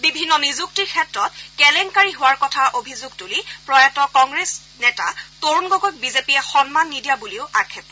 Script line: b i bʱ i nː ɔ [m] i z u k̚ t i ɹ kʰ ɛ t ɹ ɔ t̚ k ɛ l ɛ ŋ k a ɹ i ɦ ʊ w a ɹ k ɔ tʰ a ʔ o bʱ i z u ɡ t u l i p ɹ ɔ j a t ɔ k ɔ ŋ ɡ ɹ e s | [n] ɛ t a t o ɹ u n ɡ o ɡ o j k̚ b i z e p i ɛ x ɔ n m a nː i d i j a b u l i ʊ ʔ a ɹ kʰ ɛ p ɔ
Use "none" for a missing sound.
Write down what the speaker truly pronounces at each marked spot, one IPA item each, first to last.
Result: n, n

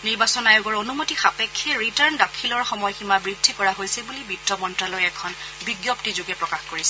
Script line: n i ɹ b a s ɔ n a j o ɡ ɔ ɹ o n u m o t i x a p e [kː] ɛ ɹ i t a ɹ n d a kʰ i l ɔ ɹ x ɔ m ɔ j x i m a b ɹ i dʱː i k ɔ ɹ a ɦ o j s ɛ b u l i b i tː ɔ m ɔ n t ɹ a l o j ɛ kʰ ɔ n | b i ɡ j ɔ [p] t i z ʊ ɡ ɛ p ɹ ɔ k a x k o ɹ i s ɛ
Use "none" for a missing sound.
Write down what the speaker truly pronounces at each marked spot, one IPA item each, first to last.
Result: kʰː, p

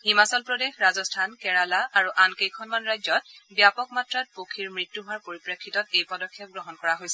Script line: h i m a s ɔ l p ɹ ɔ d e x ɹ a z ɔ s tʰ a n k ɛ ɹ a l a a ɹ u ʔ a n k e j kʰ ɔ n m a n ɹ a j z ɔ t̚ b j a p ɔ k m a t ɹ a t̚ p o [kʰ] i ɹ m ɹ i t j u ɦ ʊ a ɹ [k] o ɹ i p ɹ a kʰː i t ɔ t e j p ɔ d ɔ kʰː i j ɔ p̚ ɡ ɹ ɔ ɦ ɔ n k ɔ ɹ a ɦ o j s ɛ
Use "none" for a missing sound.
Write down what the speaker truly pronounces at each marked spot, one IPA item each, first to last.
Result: kʰ, p

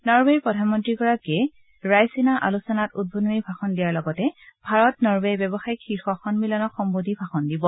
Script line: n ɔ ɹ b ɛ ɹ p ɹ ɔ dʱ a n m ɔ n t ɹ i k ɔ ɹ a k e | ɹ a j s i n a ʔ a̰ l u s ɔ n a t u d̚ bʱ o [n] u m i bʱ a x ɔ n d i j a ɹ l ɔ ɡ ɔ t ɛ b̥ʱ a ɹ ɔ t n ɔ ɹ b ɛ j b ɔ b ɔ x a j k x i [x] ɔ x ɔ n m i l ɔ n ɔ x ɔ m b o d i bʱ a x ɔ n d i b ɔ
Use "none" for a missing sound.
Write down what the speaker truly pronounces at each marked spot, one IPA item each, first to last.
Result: n, x

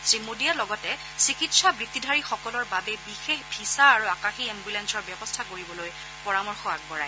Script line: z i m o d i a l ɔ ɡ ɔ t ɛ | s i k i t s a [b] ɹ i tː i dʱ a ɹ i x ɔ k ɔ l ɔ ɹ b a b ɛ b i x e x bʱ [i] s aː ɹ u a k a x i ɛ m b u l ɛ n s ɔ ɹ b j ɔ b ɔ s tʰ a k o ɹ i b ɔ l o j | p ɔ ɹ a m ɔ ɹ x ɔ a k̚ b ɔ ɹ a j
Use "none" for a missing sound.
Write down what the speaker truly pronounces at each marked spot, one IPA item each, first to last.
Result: b, i

